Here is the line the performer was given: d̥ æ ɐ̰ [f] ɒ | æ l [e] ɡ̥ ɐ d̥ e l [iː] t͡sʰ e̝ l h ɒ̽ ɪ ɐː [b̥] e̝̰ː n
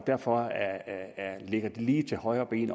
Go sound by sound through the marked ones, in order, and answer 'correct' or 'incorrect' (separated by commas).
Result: correct, correct, correct, correct